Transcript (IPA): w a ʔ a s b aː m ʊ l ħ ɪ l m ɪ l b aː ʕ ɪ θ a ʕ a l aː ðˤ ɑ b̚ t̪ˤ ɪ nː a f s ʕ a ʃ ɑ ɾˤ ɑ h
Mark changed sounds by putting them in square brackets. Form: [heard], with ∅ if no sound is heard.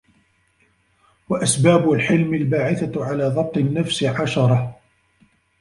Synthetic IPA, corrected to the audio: w a ʔ a s b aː [b] ʊ l ħ ɪ l m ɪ l b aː ʕ ɪ θ a ʕ a l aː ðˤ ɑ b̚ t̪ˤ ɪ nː a f s ʕ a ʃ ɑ ɾˤ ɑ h

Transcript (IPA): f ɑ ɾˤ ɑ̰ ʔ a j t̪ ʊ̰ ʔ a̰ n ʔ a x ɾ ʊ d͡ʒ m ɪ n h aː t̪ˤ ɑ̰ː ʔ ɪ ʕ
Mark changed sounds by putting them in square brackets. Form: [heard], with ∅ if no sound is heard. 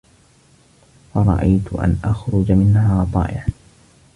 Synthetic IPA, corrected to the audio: f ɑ ɾˤ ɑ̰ ʔ a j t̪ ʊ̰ ʔ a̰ n ʔ a x ɾ ʊ d͡ʒ m ɪ n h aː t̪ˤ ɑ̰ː ʔ ɪ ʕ

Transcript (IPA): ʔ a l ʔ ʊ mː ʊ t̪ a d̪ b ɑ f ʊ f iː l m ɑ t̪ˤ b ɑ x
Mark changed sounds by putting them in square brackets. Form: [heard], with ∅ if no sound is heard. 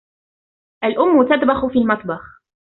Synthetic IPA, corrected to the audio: ʔ a l ʔ ʊ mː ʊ t̪ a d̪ b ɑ [x] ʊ f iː l m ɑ t̪ˤ b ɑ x

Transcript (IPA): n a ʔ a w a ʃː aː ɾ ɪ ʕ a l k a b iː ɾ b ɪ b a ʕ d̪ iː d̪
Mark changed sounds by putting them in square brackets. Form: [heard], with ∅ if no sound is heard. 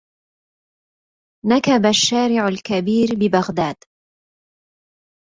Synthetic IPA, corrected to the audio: n a [k] a [b] a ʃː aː ɾ ɪ ʕ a l k a b iː ɾ b ɪ b a [ɣ] d̪ [aː] d̪

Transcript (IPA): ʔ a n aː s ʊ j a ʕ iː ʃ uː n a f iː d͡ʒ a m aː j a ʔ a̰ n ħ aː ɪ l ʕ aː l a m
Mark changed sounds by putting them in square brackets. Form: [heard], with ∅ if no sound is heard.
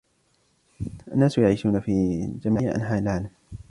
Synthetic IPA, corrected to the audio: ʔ a [nː] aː s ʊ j a ʕ iː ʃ uː n a f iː d͡ʒ a m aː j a ʔ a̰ n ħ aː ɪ l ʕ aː l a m

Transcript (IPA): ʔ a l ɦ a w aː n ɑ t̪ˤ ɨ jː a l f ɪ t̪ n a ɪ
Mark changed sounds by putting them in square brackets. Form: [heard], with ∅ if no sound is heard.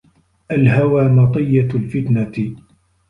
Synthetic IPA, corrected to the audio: ʔ a l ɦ a w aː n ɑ t̪ˤ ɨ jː a l f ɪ t̪ n a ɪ

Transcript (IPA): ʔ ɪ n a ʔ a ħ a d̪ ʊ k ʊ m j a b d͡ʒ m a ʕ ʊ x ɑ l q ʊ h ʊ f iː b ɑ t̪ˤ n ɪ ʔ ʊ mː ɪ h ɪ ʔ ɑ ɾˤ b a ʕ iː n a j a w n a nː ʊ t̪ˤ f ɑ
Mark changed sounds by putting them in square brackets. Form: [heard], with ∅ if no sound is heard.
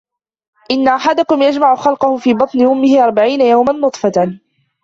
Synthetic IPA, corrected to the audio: ʔ ɪ [nː] a ʔ a ħ a d̪ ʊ k ʊ m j a [∅] d͡ʒ m a ʕ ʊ x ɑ l q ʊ h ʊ f iː b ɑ t̪ˤ n ɪ ʔ ʊ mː ɪ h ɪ ʔ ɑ ɾˤ b a ʕ iː n a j a w [m] a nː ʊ t̪ˤ f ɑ

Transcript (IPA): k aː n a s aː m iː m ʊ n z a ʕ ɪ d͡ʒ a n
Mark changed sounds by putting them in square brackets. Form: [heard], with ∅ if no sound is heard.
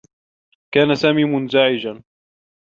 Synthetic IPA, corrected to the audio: k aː n a s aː m iː m ʊ n z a ʕ ɪ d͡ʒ a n

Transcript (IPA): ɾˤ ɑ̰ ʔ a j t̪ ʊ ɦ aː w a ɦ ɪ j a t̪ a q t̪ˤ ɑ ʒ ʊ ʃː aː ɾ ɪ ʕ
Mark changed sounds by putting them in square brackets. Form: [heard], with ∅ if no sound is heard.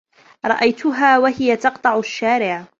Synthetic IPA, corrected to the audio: ɾˤ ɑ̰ ʔ a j t̪ ʊ ɦ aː w a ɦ ɪ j a t̪ [ɑ] q t̪ˤ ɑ [ʕ] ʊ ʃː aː ɾ ɪ ʕ

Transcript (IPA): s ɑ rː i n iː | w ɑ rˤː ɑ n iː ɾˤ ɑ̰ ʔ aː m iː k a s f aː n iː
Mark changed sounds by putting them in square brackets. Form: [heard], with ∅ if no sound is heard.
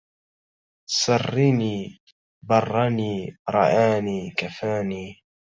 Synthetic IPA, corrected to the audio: s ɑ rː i n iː | [b] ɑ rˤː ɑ n iː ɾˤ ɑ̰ ʔ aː [n] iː k a [∅] f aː n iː

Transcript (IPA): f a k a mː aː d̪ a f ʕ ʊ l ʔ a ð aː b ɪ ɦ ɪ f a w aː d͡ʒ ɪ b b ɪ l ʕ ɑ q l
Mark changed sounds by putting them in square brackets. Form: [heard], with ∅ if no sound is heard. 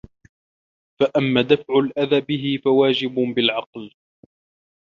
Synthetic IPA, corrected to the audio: f a [ʔ] a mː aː d̪ a f ʕ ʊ l ʔ a ð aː b ɪ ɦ ɪ f a w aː d͡ʒ ɪ b b ɪ l ʕ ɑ q l

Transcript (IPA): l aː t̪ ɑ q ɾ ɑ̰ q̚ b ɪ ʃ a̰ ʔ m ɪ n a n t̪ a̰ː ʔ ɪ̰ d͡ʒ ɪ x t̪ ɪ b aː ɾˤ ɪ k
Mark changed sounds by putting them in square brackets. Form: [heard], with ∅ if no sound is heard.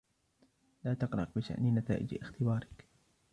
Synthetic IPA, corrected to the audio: l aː t̪ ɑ q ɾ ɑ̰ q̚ b ɪ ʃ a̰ ʔ [n] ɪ n a [∅] t̪ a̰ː ʔ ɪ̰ d͡ʒ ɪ x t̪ ɪ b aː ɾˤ ɪ k

